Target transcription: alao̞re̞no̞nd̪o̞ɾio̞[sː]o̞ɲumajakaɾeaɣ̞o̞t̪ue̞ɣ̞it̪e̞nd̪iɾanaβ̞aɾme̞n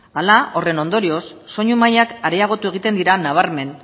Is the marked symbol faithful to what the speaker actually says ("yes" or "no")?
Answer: yes